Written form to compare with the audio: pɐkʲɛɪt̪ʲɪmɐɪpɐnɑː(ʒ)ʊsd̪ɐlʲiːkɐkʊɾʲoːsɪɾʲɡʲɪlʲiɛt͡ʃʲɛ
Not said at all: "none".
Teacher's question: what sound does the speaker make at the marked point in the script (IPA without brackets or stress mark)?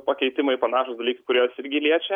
ʃ